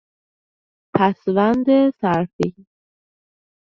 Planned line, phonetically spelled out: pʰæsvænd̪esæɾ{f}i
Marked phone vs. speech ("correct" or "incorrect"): correct